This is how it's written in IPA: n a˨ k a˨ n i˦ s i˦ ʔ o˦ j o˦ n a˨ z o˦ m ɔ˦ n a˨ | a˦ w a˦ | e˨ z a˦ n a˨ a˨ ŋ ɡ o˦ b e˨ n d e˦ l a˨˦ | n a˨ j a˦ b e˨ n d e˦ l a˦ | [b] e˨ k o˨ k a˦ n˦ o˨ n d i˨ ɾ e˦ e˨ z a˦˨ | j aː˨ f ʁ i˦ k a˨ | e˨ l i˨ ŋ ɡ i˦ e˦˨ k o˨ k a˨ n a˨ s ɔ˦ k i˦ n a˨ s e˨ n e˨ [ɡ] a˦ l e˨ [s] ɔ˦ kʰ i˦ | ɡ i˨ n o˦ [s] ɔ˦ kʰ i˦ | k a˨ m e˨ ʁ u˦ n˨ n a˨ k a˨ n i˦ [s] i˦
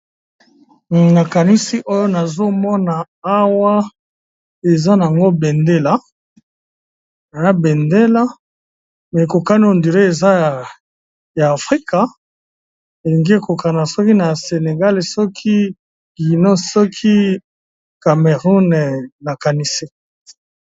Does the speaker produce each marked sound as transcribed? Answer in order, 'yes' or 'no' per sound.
no, yes, yes, yes, yes

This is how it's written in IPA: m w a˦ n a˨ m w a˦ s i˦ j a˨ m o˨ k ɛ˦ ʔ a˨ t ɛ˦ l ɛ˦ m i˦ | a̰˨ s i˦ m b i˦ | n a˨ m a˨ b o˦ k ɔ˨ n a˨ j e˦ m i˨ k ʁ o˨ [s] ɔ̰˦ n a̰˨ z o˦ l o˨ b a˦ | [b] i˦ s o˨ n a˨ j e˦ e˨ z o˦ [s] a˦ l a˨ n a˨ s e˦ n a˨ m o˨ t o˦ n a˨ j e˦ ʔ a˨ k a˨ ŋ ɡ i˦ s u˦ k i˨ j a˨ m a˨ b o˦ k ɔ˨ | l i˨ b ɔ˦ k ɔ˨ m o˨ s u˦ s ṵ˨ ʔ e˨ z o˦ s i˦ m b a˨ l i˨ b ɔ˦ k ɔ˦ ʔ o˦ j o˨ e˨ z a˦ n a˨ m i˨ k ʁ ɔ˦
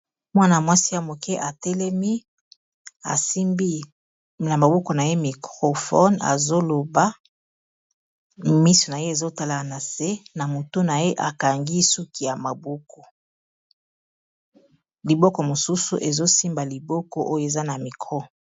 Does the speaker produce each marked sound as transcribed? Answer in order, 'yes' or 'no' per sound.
no, no, no

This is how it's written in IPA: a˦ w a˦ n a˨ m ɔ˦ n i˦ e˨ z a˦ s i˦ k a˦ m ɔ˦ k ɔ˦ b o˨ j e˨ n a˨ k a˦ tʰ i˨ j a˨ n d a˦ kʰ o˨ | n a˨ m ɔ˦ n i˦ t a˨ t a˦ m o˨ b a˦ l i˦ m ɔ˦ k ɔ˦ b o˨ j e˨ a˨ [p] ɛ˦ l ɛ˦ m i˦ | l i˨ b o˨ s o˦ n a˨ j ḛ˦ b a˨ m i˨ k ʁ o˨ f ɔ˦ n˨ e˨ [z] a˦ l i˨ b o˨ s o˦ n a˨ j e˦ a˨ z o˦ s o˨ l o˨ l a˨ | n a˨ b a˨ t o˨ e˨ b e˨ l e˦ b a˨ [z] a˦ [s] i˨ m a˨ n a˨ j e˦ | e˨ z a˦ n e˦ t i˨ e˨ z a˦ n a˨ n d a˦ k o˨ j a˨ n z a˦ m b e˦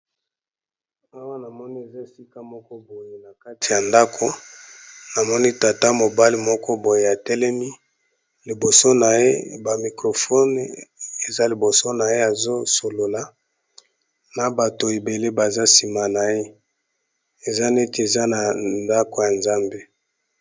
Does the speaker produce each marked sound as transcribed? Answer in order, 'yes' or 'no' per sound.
no, yes, yes, yes

